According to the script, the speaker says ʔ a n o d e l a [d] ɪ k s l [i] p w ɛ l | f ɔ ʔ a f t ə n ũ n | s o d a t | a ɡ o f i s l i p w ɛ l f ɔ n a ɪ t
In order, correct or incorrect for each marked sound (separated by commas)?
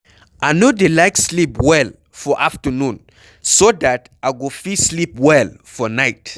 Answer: incorrect, correct